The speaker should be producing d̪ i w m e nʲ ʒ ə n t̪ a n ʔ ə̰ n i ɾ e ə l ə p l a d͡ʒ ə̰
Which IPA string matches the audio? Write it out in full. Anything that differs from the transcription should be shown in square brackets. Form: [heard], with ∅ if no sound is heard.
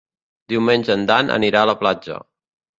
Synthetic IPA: d̪ i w m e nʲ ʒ ə n [d̪] a n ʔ ə̰ n i ɾ [a] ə l ə p l a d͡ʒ ə̰